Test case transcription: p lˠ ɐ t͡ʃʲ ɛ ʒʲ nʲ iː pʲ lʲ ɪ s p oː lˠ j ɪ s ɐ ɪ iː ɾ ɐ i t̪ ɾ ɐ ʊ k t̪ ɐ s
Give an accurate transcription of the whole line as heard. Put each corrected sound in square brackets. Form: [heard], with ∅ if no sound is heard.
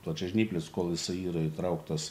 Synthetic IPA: p lˠ ɐ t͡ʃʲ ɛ ʒʲ nʲ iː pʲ lʲ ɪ s [k] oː lˠ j ɪ s ɐ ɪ iː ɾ ɐ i t̪ ɾ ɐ ʊ k t̪ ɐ s

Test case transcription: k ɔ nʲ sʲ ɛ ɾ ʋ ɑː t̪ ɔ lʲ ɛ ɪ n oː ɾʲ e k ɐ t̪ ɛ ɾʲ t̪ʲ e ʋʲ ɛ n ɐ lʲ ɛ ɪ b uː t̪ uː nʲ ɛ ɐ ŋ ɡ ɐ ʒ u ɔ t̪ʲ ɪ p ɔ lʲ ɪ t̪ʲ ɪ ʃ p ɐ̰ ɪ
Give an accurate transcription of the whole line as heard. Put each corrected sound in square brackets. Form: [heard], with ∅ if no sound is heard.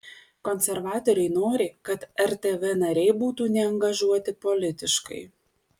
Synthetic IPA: k ɔ nʲ sʲ ɛ ɾ ʋ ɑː t̪ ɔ [ɾʲ] ɛ ɪ n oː ɾʲ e k ɐ t̪ ɛ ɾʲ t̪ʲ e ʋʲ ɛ n ɐ [ɾʲ] ɛ ɪ b uː t̪ uː nʲ ɛ ɐ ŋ ɡ ɐ ʒ u ɔ t̪ʲ ɪ p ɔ lʲ ɪ t̪ʲ ɪ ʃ [k] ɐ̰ ɪ

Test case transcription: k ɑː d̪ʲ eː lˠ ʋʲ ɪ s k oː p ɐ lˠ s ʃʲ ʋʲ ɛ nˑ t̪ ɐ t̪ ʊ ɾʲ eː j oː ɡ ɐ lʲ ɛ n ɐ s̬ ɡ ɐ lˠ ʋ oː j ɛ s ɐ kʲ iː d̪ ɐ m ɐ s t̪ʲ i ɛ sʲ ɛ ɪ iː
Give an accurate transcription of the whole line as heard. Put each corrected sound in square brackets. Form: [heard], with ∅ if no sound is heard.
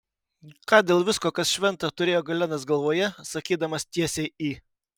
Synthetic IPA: k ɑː d̪ʲ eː lˠ ʋʲ ɪ s k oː [k] ɐ [∅] s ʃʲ ʋʲ ɛ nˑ t̪ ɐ t̪ ʊ ɾʲ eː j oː ɡ ɐ lʲ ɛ n ɐ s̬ ɡ ɐ lˠ ʋ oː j ɛ s ɐ kʲ iː d̪ ɐ m ɐ s t̪ʲ i ɛ sʲ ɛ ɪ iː

